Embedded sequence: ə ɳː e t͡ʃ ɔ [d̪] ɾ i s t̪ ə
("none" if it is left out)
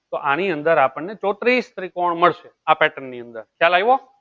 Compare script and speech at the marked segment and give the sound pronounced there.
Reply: t̪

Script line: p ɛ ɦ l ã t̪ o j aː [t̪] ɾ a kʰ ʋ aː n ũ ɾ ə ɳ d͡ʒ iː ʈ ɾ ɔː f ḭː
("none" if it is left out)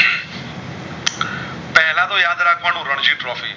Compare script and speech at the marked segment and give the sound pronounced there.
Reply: d̪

